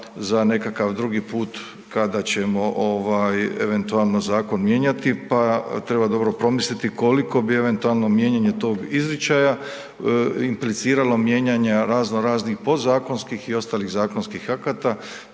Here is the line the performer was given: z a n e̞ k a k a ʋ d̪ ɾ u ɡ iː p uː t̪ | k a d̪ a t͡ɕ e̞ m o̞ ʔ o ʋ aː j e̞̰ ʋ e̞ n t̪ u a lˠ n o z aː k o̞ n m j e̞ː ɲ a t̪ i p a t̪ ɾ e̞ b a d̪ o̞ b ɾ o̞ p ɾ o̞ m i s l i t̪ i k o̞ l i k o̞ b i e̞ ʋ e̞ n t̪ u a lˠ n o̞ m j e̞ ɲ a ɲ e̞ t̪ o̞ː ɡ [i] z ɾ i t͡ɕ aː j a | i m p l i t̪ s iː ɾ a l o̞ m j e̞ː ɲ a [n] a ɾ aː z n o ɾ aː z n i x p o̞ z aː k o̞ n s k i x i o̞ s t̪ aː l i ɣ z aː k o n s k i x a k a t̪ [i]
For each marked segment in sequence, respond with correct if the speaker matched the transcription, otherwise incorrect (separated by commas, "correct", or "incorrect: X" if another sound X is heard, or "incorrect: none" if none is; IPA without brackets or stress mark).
correct, incorrect: ɲ, incorrect: a